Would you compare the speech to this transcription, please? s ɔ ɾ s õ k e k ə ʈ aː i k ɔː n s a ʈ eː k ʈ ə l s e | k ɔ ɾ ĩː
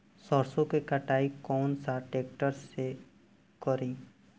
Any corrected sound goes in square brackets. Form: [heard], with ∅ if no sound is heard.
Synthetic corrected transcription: s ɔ ɾ s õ k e k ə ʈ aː i k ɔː n s a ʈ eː k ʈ ə [ɾ] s e | k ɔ ɾ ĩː